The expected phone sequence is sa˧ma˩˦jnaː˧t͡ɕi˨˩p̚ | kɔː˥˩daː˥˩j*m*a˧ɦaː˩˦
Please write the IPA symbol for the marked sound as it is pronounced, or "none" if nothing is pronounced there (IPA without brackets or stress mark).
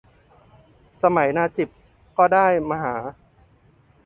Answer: m